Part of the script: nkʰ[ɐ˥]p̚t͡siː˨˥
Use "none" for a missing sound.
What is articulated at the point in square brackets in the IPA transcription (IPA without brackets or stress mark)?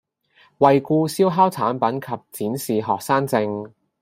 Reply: ɐ˨